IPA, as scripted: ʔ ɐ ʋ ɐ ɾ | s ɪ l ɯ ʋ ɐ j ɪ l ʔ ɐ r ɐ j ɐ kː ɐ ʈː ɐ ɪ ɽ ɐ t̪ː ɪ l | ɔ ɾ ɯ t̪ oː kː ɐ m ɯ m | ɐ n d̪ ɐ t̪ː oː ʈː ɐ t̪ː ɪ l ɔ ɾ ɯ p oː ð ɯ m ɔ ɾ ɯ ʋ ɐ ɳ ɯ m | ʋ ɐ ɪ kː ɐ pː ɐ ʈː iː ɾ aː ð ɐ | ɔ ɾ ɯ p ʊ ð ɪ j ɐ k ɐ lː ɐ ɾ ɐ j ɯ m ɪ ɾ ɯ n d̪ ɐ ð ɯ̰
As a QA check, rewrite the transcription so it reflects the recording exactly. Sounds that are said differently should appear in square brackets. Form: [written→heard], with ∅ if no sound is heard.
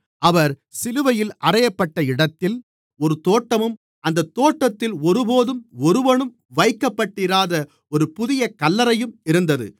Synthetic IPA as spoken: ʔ ɐ ʋ ɐ ɾ | s ɪ l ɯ ʋ ɐ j ɪ l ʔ ɐ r ɐ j ɐ [kː→pː] ɐ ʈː ɐ ɪ ɽ ɐ t̪ː ɪ l | ɔ ɾ ɯ t̪ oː [kː→ʈː] ɐ m ɯ m | ɐ n d̪ ɐ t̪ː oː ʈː ɐ t̪ː ɪ l ɔ ɾ ɯ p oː ð ɯ m ɔ ɾ ɯ ʋ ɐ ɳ ɯ m | ʋ ɐ ɪ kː ɐ pː ɐ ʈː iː ɾ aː ð ɐ | ɔ ɾ ɯ p ʊ ð ɪ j ɐ k ɐ lː ɐ ɾ ɐ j ɯ m ɪ ɾ ɯ n d̪ ɐ ð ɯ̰

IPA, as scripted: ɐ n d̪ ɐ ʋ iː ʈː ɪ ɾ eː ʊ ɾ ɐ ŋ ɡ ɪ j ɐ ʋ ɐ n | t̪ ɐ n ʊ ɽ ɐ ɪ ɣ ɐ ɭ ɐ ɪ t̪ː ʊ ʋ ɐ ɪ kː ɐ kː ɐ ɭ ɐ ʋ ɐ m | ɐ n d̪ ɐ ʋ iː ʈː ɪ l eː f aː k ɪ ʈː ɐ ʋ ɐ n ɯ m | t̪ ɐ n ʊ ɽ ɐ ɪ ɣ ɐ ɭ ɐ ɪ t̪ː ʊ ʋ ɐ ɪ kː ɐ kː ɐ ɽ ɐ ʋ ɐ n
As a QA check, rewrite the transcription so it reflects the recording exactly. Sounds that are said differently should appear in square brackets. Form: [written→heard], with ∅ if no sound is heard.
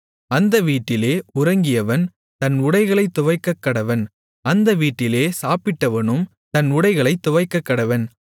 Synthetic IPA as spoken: ɐ n d̪ ɐ ʋ iː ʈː ɪ [ɾ→l] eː ʊ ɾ ɐ ŋ ɡ ɪ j ɐ ʋ ɐ n | t̪ ɐ n ʊ ɽ ɐ ɪ ɣ ɐ ɭ ɐ ɪ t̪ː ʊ ʋ ɐ ɪ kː ɐ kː ɐ [ɭ→ɽ] ɐ ʋ ɐ [m→n] | ɐ n d̪ ɐ ʋ iː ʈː ɪ l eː [f→s] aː [k→p] ɪ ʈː ɐ ʋ ɐ n ɯ m | t̪ ɐ n ʊ ɽ ɐ ɪ ɣ ɐ ɭ ɐ ɪ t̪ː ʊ ʋ ɐ ɪ kː ɐ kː ɐ ɽ ɐ ʋ ɐ n

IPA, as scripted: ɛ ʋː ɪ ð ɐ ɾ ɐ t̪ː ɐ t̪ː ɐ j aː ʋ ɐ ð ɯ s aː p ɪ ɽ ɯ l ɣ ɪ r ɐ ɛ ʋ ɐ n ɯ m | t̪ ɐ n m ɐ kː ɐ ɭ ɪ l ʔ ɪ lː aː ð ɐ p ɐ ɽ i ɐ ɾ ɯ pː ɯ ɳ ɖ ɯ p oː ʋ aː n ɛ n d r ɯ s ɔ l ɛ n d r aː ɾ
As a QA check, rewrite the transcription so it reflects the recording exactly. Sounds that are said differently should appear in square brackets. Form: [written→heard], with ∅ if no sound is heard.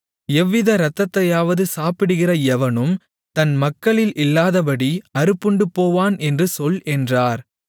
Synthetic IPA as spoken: ɛ ʋː ɪ ð ɐ ɾ ɐ t̪ː ɐ t̪ː ɐ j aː ʋ ɐ ð ɯ s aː p ɪ ɽ ɯ [l→∅] ɣ ɪ r ɐ ɛ ʋ ɐ n ɯ m | t̪ ɐ n m ɐ kː ɐ ɭ ɪ l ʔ ɪ lː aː ð ɐ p ɐ ɽ i ɐ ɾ ɯ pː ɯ ɳ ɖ ɯ p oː ʋ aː n ɛ n d r ɯ s ɔ l ɛ n d r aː ɾ

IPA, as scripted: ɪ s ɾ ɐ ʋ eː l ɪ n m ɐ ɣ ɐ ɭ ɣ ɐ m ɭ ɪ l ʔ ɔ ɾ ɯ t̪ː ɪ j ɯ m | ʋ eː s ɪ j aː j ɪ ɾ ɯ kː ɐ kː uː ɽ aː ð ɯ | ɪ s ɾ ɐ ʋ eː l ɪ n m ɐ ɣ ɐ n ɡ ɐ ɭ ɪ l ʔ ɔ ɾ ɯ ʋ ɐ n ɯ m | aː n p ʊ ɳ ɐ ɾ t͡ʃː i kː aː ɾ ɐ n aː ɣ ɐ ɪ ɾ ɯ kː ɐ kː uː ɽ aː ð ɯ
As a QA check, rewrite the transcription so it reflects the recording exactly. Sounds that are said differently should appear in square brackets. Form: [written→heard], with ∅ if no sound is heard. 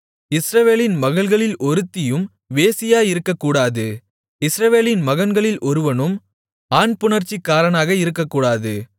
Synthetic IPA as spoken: ɪ s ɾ ɐ ʋ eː l ɪ n m ɐ ɣ ɐ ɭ ɣ ɐ [m→∅] ɭ ɪ l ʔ ɔ ɾ ɯ t̪ː ɪ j ɯ m | ʋ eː s ɪ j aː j ɪ ɾ ɯ kː ɐ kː uː ɽ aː ð ɯ | ɪ s ɾ ɐ ʋ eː l ɪ n m ɐ ɣ ɐ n ɡ ɐ ɭ ɪ l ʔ ɔ ɾ ɯ ʋ ɐ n ɯ m | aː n p ʊ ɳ ɐ ɾ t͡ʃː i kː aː ɾ ɐ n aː ɣ ɐ ɪ ɾ ɯ kː ɐ kː uː ɽ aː ð ɯ

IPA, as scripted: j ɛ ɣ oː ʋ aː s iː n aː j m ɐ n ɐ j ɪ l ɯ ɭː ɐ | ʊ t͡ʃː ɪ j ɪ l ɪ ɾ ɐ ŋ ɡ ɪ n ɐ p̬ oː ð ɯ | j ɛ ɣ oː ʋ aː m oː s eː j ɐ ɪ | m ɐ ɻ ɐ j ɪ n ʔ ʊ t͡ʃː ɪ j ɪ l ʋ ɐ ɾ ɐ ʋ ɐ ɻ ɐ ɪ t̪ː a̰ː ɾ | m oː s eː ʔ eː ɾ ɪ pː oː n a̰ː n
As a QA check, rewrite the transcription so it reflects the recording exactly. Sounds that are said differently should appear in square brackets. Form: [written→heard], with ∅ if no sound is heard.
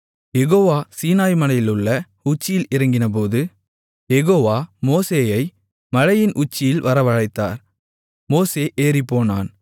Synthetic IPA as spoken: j ɛ ɣ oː ʋ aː s iː n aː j m ɐ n ɐ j ɪ l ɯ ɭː ɐ | ʊ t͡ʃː ɪ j ɪ l ɪ ɾ ɐ ŋ ɡ ɪ n ɐ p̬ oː ð ɯ | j ɛ ɣ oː ʋ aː m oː s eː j ɐ ɪ | m ɐ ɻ ɐ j ɪ n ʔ ʊ t͡ʃː ɪ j ɪ l ʋ ɐ ɾ ɐ ʋ ɐ ɻ ɐ ɪ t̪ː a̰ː ɾ | m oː s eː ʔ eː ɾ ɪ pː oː n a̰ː n

